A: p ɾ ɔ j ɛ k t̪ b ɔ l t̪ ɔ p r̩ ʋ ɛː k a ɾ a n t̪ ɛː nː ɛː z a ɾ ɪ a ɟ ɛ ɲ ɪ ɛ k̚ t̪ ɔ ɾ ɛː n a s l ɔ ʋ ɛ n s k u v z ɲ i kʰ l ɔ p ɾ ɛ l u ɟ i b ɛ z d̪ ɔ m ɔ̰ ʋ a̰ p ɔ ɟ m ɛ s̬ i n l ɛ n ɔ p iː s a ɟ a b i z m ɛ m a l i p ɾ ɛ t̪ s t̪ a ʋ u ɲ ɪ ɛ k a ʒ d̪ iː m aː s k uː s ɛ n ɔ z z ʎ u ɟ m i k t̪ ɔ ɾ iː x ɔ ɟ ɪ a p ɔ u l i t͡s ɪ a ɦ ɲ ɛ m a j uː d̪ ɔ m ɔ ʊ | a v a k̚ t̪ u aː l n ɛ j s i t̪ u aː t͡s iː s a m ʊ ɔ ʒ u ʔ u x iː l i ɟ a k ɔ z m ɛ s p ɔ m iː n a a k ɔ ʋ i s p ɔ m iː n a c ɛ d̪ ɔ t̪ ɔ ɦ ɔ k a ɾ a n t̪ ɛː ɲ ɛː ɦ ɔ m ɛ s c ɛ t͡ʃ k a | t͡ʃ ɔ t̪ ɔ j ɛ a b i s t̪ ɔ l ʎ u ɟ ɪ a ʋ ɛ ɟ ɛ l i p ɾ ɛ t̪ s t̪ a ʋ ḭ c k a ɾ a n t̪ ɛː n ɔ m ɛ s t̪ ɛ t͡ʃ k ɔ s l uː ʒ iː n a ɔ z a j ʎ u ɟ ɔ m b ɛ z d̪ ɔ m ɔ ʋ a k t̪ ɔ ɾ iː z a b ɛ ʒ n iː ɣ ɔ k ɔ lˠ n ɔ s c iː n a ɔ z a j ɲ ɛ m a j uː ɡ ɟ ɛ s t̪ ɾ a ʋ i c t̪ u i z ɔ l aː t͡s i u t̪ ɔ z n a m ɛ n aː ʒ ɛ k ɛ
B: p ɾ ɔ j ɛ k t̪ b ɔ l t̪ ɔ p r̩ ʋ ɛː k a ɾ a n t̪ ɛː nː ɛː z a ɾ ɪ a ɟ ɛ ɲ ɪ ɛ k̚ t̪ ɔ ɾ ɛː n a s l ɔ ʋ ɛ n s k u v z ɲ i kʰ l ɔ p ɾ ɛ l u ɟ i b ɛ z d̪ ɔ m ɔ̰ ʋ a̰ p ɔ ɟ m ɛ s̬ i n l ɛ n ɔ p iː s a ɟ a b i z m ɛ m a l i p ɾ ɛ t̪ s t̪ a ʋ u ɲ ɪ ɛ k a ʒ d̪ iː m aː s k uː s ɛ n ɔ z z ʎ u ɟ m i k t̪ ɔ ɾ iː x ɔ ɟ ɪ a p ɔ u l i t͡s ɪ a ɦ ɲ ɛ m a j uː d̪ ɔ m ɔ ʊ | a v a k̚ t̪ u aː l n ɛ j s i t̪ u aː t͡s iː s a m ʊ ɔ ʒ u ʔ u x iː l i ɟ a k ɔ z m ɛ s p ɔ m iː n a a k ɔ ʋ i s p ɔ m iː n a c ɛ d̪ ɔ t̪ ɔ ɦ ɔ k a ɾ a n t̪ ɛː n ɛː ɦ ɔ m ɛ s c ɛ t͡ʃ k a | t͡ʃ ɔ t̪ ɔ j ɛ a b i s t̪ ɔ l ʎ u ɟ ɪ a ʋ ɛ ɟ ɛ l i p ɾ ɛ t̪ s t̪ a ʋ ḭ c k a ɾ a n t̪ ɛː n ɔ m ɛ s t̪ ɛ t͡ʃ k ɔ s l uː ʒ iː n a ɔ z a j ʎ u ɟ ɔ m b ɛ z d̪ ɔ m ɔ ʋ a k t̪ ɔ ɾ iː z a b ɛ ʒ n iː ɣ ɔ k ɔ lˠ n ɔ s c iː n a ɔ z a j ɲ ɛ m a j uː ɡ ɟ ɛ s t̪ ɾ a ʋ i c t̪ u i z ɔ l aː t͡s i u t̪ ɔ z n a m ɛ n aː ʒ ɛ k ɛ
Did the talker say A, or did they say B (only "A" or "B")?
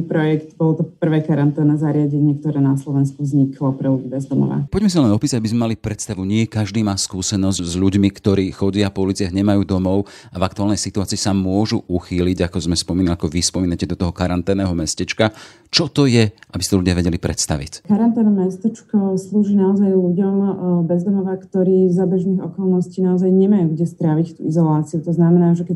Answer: B